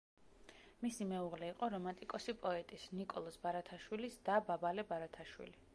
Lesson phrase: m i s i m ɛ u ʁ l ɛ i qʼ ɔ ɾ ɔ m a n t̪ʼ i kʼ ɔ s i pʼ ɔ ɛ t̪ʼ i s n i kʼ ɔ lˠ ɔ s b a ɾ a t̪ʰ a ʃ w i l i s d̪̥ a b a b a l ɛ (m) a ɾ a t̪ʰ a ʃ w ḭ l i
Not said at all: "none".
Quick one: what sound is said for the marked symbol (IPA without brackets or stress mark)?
b